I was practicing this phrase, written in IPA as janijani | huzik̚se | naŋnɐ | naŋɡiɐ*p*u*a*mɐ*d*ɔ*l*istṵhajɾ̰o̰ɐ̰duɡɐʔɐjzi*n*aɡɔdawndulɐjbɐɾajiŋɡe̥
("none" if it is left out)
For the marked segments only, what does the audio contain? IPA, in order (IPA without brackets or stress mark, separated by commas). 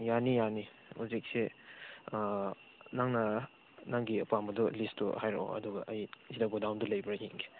p, a, d, l, d